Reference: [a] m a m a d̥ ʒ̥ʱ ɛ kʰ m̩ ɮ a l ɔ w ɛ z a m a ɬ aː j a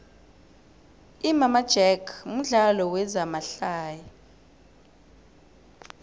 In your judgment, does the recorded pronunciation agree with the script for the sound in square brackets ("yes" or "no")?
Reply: no